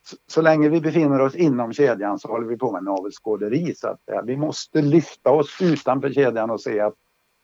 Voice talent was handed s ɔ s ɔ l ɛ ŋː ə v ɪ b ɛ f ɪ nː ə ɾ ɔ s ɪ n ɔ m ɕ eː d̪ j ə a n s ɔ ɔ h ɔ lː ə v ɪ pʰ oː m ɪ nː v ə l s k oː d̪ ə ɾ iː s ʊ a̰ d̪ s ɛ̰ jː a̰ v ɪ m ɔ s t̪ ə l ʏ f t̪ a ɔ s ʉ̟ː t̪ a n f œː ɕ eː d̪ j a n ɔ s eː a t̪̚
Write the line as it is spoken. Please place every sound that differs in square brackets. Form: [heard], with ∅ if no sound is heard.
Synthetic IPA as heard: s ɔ s ɔ l ɛ ŋː ə v ɪ b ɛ f ɪ nː ə ɾ ɔ s ɪ [nː] ɔ m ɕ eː d̪ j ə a n s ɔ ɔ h ɔ lː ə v ɪ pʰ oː m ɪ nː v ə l s k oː d̪ ə ɾ iː s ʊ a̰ [t̪] s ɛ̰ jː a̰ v ɪ m ɔ s t̪ ə l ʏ f t̪ a ɔ s ʉ̟ː t̪ a n f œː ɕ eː d̪ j a n ɔ s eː a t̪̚